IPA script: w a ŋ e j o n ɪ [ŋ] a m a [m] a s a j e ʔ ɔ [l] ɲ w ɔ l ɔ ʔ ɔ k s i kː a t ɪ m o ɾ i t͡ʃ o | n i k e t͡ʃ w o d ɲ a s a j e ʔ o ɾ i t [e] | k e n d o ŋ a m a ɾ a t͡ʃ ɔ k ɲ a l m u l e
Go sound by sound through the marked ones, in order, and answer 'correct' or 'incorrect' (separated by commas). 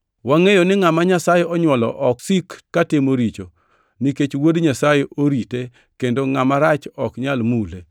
correct, incorrect, incorrect, correct